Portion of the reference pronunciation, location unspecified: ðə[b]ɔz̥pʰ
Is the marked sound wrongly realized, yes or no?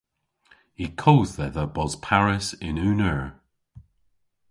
no